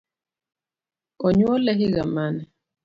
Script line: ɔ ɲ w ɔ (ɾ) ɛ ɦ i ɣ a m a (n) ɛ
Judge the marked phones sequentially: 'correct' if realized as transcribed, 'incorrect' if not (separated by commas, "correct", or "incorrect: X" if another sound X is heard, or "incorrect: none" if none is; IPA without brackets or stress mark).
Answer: incorrect: l, correct